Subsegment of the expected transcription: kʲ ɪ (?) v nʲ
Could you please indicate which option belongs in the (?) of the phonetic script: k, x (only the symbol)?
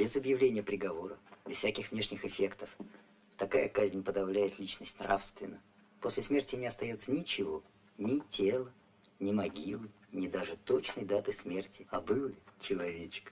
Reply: x